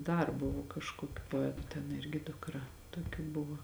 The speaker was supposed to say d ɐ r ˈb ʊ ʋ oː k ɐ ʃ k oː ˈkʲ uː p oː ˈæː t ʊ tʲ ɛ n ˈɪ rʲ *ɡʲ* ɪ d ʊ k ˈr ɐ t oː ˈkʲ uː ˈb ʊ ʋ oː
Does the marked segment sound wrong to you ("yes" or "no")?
no